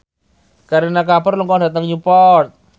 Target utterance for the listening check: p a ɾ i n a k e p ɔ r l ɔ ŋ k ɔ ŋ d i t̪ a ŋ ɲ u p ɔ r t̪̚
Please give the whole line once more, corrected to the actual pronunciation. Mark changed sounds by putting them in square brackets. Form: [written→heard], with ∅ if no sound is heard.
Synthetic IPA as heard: [p→k] a ɾ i n a k [e→a] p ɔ r l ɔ ŋ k ɔ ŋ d [i→a] t̪ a ŋ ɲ u p ɔ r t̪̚

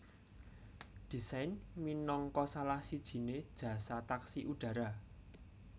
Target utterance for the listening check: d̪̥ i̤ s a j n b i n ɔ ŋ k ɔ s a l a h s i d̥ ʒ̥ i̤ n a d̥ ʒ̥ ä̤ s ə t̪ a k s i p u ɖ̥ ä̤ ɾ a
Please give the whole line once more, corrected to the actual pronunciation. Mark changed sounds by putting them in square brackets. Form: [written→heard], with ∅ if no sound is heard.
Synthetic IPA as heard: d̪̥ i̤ s a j n [b→m] i n ɔ ŋ k ɔ s a l a h s i d̥ ʒ̥ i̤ n [a→e] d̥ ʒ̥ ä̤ s [ə→a] t̪ a k s i [p→ʔ] u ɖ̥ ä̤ ɾ a

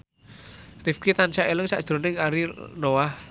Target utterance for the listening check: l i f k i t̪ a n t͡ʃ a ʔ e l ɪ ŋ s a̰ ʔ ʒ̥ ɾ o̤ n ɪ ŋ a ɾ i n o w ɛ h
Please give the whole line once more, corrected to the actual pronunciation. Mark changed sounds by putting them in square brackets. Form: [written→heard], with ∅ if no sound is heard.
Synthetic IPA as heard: [l→r] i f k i t̪ a n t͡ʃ a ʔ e l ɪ ŋ s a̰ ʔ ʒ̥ ɾ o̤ n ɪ ŋ a ɾ i n o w [ɛ→a] h

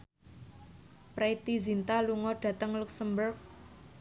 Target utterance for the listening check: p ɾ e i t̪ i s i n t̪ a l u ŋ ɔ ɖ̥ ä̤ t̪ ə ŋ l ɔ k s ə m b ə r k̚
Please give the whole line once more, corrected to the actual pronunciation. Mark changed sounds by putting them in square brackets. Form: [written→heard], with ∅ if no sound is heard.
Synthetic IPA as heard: p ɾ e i t̪ i [s→z] i n t̪ a l u ŋ ɔ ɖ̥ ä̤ t̪ ə ŋ l [ɔ→u] k s ə m b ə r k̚

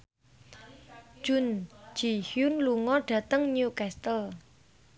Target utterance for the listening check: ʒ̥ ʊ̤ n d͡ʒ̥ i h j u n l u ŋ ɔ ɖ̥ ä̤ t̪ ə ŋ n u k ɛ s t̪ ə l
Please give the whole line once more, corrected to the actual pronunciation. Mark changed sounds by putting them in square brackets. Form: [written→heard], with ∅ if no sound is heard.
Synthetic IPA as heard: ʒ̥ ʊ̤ n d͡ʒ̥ i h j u n l u ŋ ɔ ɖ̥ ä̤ t̪ ə ŋ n u k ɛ s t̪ ə l

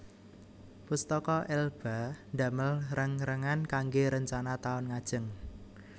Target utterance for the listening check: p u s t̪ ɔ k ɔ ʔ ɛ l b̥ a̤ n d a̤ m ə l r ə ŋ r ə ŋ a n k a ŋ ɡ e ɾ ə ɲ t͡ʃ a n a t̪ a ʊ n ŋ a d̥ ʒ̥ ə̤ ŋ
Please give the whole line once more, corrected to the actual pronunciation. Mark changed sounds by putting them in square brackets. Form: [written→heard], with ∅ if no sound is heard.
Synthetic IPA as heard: p u s t̪ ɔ k ɔ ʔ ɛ l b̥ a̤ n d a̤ m ə l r ə ŋ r ə ŋ a n k a ŋ ɡ e ɾ ə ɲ t͡ʃ a n a t̪ a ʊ n ŋ a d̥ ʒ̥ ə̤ ŋ

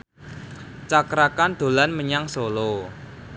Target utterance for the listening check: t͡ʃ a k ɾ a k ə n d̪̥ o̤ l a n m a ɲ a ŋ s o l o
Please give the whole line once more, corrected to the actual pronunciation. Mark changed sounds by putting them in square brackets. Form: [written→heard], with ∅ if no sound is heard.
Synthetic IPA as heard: t͡ʃ a k ɾ a k [ə→a] n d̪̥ o̤ l a n m [a→ə] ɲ a ŋ s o l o

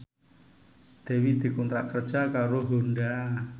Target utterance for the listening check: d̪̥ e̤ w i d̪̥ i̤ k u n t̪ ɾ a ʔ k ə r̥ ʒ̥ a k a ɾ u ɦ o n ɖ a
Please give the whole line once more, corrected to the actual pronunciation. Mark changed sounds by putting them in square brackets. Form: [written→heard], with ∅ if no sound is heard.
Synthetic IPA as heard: d̪̥ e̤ w i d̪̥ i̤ k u n t̪ ɾ a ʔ k ə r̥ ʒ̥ a k a ɾ [u→o] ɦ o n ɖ a

